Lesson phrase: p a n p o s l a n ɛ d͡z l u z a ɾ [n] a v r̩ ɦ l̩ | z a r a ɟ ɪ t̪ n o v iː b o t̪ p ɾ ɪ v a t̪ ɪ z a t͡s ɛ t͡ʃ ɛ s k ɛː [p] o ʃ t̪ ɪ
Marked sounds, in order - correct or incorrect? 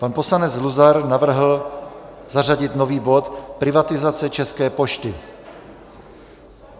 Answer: correct, correct

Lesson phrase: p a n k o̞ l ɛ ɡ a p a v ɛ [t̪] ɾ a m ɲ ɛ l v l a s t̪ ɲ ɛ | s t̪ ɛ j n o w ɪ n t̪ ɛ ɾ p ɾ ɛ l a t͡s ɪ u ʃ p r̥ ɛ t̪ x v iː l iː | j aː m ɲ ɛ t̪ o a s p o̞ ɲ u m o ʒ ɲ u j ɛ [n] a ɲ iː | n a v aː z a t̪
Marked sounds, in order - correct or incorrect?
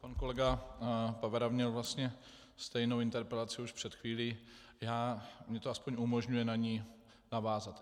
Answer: incorrect, correct

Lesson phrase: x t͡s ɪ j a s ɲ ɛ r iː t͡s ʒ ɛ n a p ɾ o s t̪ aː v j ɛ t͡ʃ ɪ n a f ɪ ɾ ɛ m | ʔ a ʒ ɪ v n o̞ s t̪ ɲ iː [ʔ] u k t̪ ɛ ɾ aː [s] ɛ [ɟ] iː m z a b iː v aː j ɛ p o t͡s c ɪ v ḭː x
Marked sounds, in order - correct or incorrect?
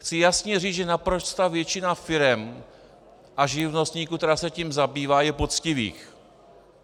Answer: incorrect, correct, incorrect

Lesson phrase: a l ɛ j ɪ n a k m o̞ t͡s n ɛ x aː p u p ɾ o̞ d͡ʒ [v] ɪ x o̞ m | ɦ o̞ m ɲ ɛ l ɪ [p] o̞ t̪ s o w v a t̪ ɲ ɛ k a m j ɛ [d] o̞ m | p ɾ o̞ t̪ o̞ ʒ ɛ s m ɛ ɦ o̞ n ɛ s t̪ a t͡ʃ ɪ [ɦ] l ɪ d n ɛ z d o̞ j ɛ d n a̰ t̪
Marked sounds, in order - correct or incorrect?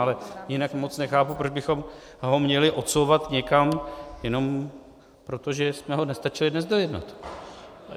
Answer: incorrect, incorrect, incorrect, incorrect

